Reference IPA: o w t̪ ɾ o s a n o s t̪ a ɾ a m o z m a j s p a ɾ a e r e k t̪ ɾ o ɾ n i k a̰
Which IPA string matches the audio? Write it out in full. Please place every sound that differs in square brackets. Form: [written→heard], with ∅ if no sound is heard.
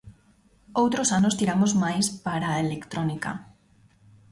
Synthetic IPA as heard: o w t̪ ɾ o s a n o s t̪ [a→i] ɾ a m o z m a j s p a ɾ a e [r→l] e k t̪ ɾ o [ɾ→∅] n i k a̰